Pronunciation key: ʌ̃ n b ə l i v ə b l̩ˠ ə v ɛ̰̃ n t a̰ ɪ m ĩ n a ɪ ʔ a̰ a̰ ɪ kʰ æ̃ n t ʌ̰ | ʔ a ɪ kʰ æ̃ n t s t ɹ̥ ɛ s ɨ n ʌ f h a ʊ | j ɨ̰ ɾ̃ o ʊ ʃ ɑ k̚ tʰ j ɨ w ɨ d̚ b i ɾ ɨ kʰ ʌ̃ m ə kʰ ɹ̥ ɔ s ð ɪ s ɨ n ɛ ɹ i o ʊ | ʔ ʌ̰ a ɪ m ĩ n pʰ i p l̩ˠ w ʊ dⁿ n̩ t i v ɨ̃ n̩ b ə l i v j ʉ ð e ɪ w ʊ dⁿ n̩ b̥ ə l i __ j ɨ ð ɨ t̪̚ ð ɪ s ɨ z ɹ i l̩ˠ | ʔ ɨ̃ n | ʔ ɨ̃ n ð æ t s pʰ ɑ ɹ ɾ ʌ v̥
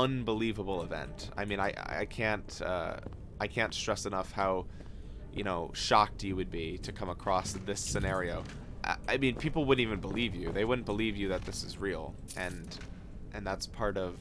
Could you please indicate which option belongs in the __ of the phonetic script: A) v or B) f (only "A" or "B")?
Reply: A